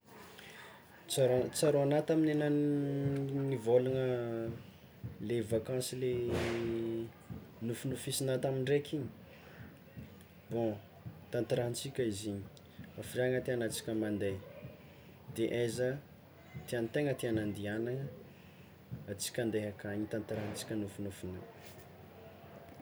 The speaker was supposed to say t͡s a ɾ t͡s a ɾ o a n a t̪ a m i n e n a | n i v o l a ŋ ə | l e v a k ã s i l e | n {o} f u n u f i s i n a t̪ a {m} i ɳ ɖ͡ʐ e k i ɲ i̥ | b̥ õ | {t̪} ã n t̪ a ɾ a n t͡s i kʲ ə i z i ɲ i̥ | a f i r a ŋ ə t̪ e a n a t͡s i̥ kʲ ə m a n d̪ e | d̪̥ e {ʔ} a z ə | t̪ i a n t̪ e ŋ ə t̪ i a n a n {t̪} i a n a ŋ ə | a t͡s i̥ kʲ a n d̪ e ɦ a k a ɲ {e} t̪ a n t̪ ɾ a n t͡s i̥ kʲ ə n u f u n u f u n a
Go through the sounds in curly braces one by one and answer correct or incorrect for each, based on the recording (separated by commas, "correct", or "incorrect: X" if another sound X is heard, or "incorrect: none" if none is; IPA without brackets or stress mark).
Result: incorrect: u, correct, correct, correct, incorrect: d̪, incorrect: i